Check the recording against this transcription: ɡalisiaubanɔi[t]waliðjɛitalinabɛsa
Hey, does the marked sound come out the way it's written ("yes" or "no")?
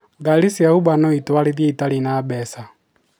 yes